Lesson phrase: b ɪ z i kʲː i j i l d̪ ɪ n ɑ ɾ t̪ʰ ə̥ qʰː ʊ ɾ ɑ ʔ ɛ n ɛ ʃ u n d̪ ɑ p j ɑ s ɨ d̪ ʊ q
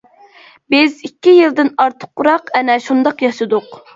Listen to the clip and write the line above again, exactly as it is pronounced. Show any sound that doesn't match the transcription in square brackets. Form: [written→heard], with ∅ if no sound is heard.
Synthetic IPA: b ɪ z i kʲː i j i l d̪ ɪ n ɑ ɾ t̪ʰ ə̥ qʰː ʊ ɾ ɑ [ʔ→q] ɛ n ɛ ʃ u n d̪ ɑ [p→q] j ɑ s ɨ d̪ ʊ q